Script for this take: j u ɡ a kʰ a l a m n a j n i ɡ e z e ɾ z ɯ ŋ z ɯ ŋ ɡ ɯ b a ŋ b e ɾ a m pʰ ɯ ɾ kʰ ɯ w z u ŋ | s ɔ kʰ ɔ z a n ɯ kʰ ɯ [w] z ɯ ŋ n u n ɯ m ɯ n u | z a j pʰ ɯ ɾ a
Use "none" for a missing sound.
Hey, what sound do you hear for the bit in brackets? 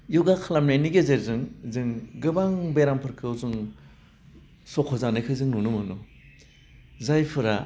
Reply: none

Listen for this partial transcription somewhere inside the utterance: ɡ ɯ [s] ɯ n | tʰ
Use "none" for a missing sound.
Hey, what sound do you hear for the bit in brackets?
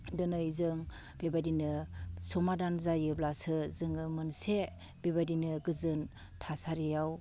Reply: z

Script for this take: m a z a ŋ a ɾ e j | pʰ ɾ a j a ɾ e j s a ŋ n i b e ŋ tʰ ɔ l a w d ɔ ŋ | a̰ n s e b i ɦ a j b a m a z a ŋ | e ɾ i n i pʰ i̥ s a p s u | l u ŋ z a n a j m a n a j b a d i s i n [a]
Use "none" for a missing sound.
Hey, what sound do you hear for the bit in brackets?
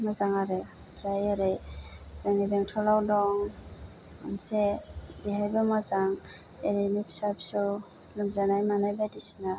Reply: a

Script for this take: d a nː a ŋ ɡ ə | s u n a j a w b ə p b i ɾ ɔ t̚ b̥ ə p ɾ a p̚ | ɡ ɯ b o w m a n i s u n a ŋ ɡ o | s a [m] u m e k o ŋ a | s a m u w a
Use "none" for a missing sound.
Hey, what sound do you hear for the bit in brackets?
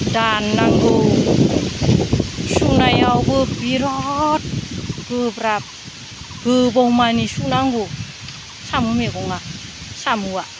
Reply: m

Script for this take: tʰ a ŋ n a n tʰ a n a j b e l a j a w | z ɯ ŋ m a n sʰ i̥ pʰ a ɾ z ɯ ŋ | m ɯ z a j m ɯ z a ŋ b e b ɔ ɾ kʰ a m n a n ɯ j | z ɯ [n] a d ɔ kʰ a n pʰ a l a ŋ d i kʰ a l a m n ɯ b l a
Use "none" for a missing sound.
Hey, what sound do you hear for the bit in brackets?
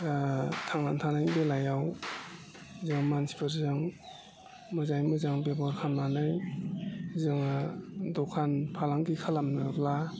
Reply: ŋ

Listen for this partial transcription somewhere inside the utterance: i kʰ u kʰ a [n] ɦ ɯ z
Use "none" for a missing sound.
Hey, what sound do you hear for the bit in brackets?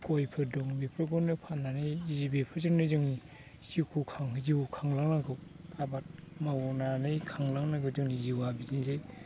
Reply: ŋ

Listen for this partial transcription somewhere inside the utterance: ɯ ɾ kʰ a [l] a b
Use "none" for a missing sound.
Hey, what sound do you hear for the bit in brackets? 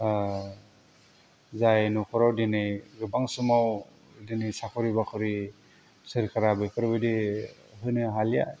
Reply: ɾ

